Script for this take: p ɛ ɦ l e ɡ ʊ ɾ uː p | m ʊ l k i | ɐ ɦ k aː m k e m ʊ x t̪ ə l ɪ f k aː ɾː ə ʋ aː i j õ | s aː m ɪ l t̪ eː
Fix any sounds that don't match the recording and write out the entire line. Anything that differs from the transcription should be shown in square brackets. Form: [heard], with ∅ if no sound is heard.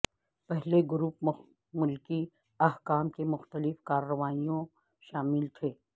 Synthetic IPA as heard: p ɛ ɦ l e ɡ ʊ ɾ uː p | m ʊ l k i | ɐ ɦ k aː m k e m ʊ x t̪ ə l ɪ f k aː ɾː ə ʋ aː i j õ | [ʃ] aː m ɪ l [t̪ʰ] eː